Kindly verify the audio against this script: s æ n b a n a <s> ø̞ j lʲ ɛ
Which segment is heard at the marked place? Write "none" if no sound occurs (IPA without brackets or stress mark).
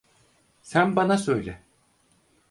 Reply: s